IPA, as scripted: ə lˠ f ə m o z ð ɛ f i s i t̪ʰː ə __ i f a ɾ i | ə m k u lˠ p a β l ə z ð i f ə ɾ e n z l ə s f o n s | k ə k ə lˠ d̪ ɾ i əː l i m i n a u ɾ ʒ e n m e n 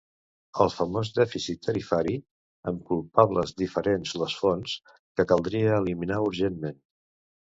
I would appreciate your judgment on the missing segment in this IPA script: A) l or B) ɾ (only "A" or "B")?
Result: B